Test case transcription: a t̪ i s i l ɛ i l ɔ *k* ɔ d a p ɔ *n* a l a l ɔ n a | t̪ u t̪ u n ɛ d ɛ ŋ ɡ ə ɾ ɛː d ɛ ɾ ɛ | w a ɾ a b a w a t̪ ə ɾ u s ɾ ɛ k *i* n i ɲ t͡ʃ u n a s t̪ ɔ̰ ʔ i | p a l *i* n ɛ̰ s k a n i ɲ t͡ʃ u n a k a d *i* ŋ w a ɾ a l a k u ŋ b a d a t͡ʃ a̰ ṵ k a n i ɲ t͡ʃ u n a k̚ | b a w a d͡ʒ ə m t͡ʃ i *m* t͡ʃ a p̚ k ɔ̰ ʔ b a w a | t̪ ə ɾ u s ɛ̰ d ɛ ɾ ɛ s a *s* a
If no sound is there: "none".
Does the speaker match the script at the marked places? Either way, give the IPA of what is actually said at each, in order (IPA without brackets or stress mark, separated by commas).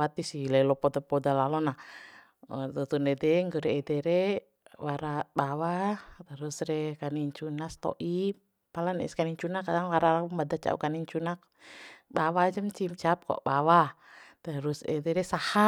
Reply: p, d, a, a, a, m, h